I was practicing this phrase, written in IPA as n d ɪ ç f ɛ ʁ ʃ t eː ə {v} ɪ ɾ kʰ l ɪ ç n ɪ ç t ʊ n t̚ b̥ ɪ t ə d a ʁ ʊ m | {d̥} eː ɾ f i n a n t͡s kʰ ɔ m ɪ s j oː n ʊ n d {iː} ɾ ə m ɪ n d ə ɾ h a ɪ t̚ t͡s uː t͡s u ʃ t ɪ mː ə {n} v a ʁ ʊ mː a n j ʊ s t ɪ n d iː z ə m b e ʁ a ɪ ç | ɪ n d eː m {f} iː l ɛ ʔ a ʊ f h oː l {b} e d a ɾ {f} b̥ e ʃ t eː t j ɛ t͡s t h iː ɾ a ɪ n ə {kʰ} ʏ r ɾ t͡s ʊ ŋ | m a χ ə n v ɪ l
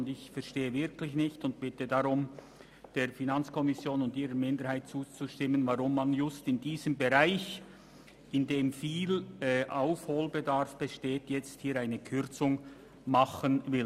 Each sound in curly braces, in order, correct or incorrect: correct, correct, correct, correct, correct, correct, correct, correct

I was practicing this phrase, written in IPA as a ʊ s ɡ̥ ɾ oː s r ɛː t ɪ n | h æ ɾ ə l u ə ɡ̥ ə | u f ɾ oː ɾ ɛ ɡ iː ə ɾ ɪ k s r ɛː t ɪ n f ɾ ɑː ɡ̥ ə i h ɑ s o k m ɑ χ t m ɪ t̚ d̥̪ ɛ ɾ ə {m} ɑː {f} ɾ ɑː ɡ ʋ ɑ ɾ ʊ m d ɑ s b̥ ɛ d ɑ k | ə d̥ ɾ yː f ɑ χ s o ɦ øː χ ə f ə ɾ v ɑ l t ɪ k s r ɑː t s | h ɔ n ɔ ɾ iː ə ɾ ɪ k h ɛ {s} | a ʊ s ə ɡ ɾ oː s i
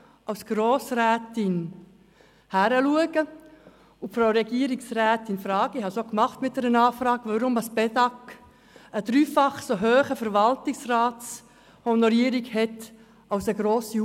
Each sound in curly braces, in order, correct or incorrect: incorrect: n, correct, incorrect: t

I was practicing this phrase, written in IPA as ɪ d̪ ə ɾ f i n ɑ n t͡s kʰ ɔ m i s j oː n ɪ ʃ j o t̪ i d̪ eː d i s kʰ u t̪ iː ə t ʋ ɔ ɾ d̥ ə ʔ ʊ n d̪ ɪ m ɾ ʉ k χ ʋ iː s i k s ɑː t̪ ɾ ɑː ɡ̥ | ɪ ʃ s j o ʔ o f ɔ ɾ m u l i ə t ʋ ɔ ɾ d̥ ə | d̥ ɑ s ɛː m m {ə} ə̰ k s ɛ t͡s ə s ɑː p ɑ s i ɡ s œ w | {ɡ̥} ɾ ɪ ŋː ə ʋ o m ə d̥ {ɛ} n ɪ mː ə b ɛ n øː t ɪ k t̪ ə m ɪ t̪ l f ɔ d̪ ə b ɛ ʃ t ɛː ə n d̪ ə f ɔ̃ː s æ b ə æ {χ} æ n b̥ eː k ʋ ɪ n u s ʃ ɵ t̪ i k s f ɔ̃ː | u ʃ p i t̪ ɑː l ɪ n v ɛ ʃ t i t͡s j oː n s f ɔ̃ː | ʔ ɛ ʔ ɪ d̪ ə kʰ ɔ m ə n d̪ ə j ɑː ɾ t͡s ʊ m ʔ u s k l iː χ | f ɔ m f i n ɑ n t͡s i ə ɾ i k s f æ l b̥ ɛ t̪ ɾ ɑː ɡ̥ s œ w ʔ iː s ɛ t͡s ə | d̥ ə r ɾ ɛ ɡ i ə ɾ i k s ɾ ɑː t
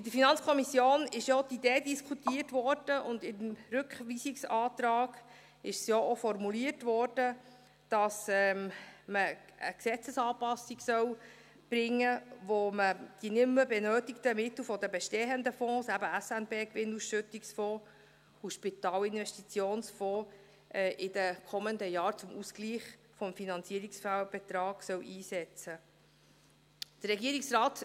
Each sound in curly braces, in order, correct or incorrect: correct, incorrect: b̥, incorrect: i, incorrect: s

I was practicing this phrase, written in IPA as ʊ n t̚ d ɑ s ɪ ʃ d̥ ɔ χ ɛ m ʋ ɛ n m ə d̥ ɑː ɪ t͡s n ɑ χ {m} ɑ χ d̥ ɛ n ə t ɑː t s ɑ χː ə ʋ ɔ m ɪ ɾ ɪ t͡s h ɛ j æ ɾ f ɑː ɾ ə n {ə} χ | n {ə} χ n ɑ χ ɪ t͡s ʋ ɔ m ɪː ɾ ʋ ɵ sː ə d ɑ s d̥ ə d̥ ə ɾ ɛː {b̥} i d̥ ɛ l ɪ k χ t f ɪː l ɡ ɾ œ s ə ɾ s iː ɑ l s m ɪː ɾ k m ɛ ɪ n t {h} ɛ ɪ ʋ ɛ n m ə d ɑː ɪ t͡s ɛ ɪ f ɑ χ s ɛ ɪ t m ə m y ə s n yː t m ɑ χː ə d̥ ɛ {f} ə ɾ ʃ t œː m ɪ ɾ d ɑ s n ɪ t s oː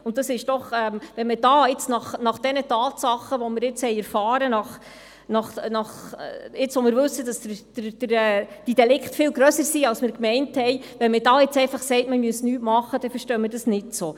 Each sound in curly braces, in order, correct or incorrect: incorrect: n, incorrect: ɑ, incorrect: ɑ, incorrect: d̥, correct, correct

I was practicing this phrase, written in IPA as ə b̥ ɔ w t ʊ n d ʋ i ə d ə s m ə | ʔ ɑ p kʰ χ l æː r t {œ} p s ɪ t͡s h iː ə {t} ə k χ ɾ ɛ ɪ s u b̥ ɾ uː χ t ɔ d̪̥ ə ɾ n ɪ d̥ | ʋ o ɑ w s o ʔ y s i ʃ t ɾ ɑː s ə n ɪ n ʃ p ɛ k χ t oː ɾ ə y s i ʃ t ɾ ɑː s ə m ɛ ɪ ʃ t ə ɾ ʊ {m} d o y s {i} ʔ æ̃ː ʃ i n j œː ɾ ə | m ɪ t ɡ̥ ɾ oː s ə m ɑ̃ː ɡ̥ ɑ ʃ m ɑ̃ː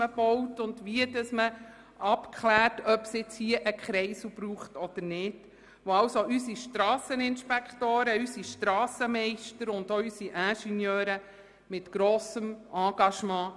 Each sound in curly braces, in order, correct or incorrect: correct, incorrect: ʔ, incorrect: n, correct

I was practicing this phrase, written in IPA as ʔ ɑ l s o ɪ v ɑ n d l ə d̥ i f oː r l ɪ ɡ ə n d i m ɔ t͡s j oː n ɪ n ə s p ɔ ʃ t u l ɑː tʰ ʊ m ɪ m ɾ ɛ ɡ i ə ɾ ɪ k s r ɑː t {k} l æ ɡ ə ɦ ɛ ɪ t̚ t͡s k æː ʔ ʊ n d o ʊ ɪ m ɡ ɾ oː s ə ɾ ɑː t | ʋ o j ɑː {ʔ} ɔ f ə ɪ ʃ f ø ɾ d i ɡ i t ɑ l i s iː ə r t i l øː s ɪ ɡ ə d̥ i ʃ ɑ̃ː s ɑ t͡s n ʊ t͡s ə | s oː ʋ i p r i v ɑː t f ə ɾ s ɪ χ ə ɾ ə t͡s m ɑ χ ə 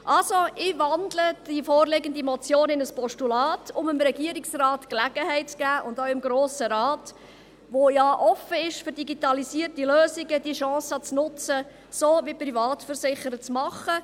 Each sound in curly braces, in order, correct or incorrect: correct, correct

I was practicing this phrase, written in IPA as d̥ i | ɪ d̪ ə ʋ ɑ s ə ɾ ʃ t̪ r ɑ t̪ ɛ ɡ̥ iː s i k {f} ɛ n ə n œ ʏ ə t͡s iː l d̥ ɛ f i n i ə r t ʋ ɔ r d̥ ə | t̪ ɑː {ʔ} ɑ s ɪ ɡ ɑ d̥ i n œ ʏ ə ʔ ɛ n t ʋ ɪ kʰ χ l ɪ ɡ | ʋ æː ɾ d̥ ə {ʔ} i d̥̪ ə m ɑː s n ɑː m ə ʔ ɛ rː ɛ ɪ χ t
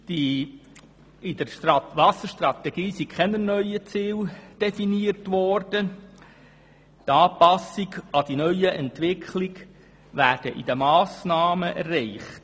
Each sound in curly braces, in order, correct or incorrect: incorrect: χ, incorrect: p, correct

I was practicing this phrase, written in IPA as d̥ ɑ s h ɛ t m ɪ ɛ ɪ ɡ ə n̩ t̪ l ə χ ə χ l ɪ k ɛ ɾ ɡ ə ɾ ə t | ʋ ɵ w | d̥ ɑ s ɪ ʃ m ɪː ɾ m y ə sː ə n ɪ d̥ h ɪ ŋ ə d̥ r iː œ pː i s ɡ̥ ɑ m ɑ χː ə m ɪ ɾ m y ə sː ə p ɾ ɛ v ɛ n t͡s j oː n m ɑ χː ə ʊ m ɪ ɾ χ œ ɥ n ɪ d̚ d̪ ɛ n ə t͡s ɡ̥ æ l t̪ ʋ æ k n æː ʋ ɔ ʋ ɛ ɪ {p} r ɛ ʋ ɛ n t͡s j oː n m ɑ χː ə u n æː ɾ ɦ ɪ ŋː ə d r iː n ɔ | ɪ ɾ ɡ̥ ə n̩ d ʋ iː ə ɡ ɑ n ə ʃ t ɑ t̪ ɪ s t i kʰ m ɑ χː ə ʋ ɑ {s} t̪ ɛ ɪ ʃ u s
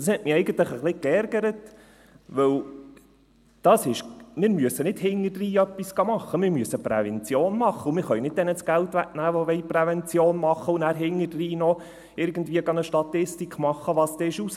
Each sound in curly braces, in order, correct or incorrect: correct, correct

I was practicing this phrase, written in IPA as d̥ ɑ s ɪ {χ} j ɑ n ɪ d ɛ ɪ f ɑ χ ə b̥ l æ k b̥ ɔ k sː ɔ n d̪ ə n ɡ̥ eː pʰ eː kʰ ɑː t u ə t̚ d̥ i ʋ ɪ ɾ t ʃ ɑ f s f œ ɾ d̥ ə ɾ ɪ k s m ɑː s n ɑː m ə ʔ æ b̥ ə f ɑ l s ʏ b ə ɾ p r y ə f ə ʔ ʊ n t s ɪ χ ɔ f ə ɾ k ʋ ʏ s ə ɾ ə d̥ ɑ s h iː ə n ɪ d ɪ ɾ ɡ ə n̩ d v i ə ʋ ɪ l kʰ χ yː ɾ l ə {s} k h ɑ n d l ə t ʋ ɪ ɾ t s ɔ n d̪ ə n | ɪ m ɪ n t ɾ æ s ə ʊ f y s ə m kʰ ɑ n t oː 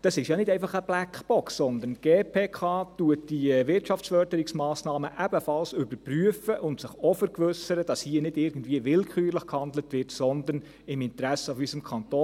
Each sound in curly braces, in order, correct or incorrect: incorrect: ʃ, incorrect: χ

